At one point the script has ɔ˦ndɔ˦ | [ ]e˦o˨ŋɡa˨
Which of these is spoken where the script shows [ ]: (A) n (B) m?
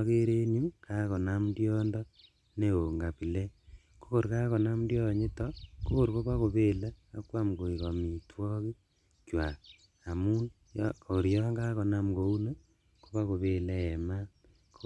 A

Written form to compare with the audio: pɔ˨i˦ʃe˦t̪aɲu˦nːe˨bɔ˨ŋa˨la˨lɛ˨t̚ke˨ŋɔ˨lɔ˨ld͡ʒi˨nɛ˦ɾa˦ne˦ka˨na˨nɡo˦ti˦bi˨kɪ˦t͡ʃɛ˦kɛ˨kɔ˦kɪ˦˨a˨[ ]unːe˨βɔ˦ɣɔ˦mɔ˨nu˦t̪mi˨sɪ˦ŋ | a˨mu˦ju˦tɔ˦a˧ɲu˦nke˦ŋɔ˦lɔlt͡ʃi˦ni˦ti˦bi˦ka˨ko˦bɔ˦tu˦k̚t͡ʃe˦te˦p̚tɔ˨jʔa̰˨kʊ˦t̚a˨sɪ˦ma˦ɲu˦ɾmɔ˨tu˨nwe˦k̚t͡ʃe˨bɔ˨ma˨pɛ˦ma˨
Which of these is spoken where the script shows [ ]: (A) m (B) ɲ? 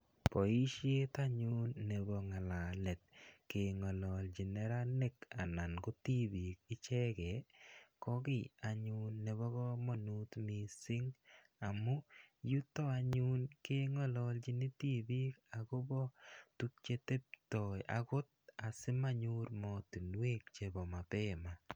B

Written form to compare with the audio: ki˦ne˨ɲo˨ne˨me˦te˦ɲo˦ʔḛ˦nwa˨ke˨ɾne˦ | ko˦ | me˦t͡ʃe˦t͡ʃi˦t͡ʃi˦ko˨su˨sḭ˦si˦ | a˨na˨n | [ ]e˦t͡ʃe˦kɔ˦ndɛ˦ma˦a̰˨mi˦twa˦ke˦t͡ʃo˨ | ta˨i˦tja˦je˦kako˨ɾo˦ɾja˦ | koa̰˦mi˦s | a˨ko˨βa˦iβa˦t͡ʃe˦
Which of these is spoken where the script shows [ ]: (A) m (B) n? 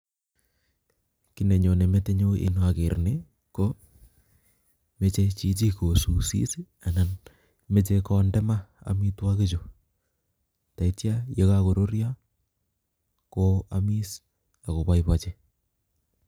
A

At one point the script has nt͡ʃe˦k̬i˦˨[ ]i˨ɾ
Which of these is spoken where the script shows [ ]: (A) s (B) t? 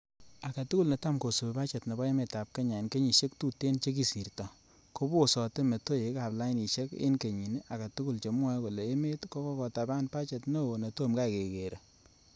A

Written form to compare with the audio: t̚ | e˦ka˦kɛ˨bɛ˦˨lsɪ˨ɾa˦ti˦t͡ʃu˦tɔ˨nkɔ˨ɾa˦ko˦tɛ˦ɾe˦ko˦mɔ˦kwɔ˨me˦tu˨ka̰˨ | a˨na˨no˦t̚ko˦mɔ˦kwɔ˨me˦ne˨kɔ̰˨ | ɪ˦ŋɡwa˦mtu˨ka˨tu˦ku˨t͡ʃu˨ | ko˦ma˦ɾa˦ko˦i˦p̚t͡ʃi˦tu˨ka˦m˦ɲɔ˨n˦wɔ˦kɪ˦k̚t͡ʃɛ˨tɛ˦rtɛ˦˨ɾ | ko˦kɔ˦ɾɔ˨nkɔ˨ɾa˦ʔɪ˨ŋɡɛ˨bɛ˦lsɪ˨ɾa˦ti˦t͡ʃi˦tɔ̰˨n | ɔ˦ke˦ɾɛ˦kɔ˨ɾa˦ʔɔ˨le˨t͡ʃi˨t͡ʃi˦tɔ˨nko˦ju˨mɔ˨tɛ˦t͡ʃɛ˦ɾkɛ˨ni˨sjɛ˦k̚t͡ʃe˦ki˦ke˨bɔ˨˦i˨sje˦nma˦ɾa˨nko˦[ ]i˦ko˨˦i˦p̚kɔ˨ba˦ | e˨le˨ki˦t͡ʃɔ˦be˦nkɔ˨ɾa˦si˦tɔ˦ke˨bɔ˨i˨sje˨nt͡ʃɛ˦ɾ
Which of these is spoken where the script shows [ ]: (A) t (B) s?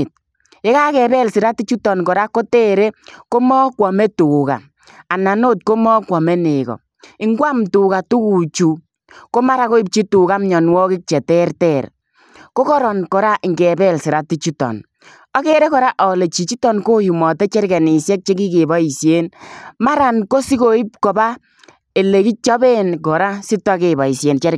B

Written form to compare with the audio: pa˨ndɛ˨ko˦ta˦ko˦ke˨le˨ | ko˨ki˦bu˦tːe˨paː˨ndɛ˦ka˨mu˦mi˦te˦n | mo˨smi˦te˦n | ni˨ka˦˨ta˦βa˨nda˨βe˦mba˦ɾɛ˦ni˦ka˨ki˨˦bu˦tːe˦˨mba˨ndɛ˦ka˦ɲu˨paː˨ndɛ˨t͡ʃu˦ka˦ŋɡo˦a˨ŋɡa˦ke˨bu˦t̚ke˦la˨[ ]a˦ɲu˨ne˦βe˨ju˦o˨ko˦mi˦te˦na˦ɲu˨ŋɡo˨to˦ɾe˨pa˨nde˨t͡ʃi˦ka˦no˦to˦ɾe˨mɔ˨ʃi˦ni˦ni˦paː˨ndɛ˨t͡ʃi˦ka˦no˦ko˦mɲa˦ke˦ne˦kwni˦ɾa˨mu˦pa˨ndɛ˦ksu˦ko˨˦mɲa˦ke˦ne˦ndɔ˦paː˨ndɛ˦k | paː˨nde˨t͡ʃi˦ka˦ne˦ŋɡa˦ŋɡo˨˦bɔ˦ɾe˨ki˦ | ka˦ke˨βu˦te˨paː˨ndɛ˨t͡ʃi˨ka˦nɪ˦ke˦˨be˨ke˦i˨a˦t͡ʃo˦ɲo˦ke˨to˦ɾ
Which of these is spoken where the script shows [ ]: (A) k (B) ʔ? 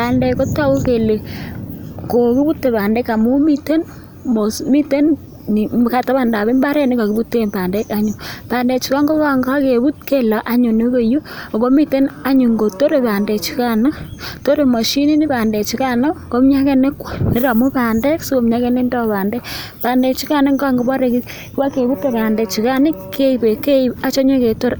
B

